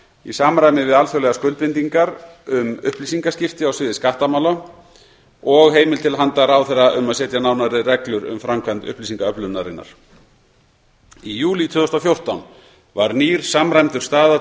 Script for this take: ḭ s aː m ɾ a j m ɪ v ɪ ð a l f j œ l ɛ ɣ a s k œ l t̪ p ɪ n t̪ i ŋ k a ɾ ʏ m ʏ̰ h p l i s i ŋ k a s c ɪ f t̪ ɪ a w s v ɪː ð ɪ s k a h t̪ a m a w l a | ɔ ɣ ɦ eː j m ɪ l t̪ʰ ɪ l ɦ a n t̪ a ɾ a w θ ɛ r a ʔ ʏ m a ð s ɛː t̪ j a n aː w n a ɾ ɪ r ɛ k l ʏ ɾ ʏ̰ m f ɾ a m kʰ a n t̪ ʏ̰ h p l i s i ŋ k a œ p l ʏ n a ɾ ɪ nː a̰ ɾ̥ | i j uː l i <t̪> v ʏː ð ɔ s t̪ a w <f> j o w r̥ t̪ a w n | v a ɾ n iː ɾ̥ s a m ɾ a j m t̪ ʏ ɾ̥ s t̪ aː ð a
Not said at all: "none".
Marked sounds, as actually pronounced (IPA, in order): t̪ʰ, f

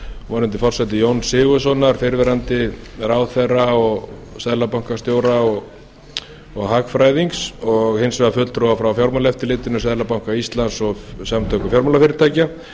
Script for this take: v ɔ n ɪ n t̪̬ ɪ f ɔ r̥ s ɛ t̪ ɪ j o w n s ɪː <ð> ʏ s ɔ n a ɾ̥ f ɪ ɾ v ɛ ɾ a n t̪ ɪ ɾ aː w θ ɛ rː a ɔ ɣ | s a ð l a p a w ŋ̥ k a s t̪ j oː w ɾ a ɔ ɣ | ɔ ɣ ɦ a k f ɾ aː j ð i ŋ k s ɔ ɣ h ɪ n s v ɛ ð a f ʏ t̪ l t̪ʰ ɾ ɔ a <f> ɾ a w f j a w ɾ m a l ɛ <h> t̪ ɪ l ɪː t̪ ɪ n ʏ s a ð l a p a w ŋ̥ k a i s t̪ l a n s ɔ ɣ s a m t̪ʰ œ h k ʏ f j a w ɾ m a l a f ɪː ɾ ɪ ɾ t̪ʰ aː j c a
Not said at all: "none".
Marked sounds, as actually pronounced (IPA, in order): ɣ, f, f

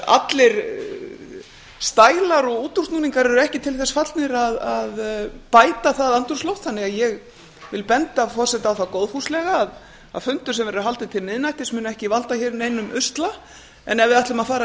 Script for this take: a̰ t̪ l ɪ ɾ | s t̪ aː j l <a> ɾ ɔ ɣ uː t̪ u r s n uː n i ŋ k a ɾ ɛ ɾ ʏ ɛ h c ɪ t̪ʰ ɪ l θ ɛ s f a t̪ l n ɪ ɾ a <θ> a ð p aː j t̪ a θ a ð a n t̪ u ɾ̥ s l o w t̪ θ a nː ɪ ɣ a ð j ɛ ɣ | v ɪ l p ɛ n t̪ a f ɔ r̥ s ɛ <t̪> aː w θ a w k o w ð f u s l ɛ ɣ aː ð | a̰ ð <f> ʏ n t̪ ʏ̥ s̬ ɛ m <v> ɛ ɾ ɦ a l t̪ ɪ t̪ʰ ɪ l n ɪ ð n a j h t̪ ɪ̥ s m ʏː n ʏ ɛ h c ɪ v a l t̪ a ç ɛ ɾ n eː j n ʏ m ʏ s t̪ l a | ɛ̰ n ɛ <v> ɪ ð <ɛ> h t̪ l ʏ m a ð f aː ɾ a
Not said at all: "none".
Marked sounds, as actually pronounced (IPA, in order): a, ð, t̪, f, v, v, a

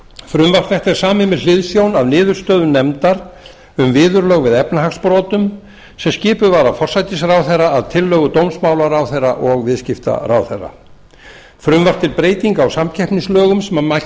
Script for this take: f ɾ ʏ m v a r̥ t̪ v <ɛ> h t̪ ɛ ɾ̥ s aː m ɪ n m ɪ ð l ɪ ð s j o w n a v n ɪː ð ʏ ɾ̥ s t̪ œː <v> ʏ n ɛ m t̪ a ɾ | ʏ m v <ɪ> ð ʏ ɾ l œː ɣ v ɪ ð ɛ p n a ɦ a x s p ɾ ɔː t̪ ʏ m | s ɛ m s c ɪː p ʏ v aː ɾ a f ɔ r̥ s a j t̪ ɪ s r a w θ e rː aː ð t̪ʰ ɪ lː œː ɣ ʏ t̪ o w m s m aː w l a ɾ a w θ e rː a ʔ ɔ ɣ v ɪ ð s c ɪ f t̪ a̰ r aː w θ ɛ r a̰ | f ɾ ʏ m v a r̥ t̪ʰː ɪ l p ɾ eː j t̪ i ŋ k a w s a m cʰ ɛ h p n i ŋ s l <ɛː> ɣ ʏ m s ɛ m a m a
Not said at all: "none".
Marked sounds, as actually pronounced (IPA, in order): ɛ, ð, ɪː, œː

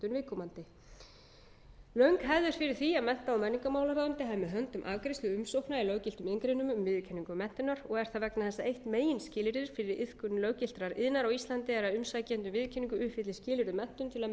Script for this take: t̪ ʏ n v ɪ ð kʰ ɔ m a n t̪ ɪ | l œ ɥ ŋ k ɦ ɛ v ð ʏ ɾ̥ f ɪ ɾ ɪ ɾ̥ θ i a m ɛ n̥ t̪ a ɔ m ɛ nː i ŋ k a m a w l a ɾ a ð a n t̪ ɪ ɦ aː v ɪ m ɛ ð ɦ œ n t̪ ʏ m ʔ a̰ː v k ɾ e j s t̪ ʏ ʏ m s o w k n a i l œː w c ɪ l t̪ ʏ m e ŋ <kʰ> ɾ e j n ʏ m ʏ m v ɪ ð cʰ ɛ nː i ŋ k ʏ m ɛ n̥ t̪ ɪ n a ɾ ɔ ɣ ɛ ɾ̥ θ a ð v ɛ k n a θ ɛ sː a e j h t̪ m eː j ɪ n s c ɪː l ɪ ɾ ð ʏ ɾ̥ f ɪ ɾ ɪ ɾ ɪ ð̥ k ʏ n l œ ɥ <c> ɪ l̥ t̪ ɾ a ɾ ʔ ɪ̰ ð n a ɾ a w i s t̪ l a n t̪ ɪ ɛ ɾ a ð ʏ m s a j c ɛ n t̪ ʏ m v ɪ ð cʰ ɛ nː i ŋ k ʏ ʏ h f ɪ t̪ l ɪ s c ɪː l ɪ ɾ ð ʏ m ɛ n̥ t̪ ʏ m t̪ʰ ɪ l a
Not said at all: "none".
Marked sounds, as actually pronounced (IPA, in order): k, c

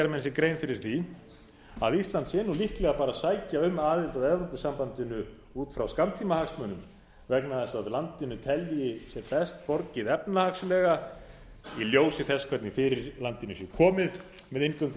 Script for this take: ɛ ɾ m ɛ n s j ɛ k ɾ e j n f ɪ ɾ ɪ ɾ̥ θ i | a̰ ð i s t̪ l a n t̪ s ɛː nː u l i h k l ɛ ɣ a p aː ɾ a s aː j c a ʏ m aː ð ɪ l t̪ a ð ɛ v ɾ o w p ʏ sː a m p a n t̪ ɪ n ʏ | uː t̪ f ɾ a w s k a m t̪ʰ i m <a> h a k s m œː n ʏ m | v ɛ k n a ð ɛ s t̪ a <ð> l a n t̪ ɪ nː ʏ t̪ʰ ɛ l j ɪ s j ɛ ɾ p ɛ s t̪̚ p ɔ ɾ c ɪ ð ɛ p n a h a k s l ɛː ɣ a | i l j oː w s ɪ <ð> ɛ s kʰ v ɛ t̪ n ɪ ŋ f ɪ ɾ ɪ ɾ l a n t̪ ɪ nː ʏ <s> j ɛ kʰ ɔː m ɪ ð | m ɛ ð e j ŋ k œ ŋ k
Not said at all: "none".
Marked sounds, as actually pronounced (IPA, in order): a, ð, θ, s

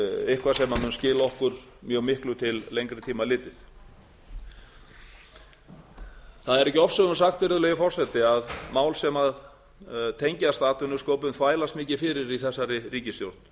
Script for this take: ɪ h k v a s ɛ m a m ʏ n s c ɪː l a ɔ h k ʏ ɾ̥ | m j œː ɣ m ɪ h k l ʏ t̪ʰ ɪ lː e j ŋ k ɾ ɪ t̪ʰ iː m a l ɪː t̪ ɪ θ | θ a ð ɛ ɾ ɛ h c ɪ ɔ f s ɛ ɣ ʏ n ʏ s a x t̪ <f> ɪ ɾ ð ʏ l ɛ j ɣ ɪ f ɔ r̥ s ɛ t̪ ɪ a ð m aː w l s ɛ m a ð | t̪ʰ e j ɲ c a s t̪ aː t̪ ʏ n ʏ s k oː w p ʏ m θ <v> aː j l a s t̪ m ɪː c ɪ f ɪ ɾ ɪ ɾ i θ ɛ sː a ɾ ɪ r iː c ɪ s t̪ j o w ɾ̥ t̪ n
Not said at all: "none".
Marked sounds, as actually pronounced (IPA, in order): v, v

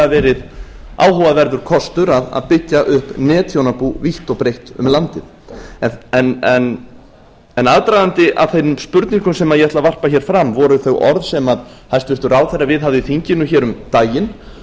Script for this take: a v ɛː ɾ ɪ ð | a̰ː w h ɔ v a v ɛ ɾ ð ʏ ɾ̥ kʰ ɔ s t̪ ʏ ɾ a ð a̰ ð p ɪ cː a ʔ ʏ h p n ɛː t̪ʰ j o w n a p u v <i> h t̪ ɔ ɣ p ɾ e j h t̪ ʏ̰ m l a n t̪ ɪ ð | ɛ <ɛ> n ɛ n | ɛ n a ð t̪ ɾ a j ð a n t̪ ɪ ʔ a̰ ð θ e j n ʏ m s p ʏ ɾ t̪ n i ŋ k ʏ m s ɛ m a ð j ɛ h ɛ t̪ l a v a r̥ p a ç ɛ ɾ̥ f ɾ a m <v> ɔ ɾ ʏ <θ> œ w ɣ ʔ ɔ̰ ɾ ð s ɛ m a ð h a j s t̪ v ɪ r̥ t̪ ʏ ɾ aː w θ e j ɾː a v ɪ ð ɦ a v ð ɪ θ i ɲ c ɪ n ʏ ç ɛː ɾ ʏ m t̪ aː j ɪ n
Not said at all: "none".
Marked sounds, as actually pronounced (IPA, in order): i, ɛ, v, θ

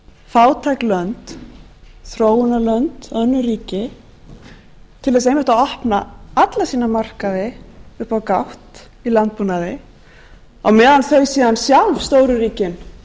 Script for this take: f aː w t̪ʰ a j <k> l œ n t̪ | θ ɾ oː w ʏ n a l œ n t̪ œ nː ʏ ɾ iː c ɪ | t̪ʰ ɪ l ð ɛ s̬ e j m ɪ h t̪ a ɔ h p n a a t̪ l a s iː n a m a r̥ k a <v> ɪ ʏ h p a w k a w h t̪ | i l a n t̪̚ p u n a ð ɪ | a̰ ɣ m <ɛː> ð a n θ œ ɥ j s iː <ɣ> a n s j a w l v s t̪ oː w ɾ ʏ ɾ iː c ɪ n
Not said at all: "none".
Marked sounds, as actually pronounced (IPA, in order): k, ð, ɛː, ð

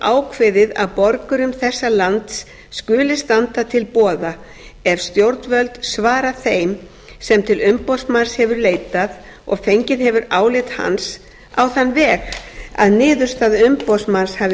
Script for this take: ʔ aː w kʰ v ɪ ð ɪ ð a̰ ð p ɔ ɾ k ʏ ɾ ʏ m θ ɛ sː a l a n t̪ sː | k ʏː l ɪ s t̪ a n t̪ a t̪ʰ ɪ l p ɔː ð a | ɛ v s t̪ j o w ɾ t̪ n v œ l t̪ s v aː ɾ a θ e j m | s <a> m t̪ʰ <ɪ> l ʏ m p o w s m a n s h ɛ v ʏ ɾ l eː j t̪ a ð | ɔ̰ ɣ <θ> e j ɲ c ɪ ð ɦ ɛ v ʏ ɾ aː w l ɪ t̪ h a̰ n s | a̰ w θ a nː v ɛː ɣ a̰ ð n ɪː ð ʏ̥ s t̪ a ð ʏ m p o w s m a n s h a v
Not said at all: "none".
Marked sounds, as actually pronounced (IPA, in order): ɛ, ɪ, f

